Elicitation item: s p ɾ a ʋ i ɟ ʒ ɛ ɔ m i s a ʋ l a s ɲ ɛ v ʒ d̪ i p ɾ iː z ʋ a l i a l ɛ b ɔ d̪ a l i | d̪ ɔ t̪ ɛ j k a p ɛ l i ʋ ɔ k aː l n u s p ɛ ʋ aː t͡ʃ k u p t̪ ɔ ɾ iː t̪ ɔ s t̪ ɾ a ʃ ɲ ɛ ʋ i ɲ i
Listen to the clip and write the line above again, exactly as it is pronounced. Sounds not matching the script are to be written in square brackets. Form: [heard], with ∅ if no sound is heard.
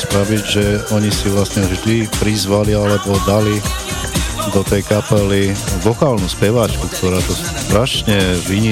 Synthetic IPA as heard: s p ɾ a ʋ i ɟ ʒ ɛ ɔ [ɲ] i s [i] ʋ l a s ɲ ɛ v ʒ d̪ i p ɾ [i] z ʋ a l i a l ɛ b ɔ d̪ a l i | d̪ ɔ t̪ ɛ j k a p ɛ l i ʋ ɔ k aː l n u s p ɛ ʋ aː t͡ʃ k u [k] t̪ ɔ ɾ [aː] t̪ ɔ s t̪ ɾ a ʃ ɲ ɛ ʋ i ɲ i